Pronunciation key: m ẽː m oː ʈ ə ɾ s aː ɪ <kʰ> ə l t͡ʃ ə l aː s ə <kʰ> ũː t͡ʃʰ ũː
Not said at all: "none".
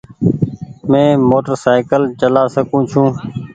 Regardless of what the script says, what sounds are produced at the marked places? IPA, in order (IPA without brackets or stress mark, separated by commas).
k, k